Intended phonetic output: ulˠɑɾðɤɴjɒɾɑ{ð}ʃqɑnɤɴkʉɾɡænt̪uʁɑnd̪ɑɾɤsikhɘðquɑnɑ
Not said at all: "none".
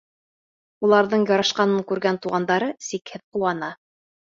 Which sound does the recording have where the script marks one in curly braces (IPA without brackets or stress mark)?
none